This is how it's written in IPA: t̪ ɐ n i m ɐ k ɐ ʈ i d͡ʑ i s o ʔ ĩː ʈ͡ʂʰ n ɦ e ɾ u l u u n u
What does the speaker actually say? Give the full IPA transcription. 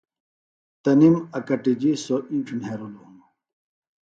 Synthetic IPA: t̪ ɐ n i m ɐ k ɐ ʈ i d͡ʑ i s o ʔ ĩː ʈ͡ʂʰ n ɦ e ɾ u l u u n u